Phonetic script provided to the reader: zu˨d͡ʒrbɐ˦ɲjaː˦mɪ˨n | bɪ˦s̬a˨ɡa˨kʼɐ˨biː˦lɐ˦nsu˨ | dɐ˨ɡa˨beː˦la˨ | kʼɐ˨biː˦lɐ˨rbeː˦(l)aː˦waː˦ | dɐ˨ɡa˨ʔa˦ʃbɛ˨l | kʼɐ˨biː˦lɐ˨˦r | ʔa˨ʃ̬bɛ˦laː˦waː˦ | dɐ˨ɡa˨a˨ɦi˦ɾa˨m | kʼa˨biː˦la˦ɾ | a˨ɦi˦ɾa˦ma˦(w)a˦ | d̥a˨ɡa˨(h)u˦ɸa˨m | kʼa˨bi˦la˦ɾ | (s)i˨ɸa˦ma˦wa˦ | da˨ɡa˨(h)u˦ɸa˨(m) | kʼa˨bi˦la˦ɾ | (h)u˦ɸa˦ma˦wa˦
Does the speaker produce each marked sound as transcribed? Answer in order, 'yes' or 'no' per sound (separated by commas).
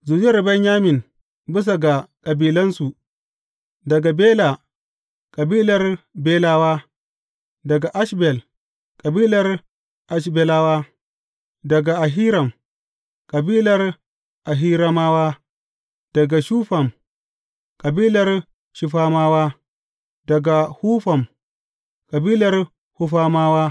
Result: yes, yes, no, no, yes, yes, yes